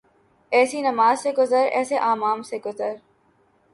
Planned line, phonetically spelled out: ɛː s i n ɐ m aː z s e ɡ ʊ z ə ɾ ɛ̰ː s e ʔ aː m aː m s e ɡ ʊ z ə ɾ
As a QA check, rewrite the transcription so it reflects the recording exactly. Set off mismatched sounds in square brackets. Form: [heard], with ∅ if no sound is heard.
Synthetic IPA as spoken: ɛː s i n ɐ m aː z s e ɡ ʊ z ə ɾ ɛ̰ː s e ʔ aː m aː m s e ɡ ʊ z ə ɾ